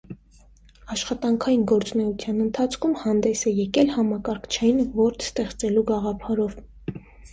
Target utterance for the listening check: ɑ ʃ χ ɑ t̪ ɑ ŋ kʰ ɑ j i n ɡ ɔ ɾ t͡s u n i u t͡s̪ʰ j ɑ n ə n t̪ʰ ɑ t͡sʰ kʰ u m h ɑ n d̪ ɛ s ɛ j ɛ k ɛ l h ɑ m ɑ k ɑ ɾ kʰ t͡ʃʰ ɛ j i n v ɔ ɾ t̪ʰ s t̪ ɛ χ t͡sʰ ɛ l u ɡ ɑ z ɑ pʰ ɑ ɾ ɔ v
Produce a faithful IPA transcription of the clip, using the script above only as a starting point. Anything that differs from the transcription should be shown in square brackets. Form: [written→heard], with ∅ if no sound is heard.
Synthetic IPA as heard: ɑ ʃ χ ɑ t̪ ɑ ŋ kʰ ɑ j i n ɡ ɔ ɾ t͡s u n [i→ɛ] u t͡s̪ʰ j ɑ n ə n t̪ʰ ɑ t͡sʰ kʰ u m h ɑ n d̪ ɛ s ɛ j ɛ k ɛ l h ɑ m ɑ k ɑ ɾ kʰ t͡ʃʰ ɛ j i n v ɔ ɾ t̪ʰ s t̪ ɛ χ [t͡sʰ→t͡s] ɛ l u ɡ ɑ [z→ʁ] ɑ pʰ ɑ ɾ ɔ v